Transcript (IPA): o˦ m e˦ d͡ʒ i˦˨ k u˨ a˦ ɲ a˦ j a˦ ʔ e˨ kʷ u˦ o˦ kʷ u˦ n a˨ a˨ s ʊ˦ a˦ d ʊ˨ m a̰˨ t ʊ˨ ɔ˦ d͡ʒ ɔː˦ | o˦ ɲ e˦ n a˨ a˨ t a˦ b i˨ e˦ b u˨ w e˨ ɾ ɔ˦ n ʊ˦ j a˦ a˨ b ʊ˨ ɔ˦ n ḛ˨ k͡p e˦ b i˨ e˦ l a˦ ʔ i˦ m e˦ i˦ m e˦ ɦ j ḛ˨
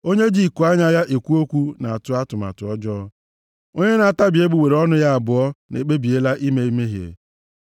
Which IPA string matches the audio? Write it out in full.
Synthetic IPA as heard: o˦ ɲ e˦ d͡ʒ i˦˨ k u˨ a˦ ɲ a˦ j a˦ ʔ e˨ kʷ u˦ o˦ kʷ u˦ n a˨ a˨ t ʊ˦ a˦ t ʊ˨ m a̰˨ t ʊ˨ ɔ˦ d͡ʒ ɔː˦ | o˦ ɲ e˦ n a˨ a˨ t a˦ b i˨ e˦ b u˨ w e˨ ɾ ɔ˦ n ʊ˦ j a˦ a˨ b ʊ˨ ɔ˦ n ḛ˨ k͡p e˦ b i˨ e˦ l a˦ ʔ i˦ m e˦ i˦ m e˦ ɦ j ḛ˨